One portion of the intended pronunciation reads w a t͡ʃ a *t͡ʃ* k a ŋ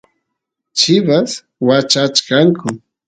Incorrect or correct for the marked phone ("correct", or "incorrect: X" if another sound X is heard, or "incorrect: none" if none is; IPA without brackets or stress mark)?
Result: correct